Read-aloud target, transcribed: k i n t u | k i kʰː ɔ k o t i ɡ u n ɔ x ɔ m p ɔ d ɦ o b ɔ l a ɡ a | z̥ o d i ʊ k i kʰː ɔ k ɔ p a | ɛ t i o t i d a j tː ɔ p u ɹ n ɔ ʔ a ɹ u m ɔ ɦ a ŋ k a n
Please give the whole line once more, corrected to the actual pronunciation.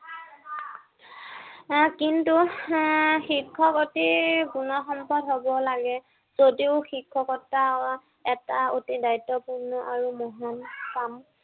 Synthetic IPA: k i n t u | x i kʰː ɔ k o t i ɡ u n ɔ x ɔ m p ɔ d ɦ o b ɔ l a ɡ ɛ | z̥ o d i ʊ x i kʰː ɔ k ɔ t a | ɛ t a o t i d a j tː ɔ p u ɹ n ɔ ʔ a ɹ u m ɔ ɦ a n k a m

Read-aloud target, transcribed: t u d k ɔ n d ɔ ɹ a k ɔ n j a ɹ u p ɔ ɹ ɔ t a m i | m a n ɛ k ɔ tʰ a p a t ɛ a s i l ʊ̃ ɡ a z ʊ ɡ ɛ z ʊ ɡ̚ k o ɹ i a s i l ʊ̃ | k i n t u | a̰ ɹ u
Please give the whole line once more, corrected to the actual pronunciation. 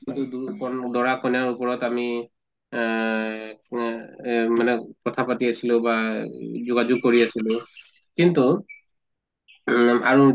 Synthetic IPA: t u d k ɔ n d ɔ ɹ a k ɔ n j a ɹ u p ɔ ɹ ɔ t a m i | m a n ɛ k ɔ tʰ a p a t i a s i l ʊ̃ b a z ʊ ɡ a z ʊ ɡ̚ k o ɹ i a s i l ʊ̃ | k i n t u | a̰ ɹ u

